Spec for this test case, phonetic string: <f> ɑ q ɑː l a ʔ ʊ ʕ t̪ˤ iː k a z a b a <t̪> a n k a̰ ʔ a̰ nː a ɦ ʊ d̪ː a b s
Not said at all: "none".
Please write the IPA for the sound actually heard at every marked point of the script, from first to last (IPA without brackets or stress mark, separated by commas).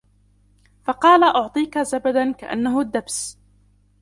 f, d̪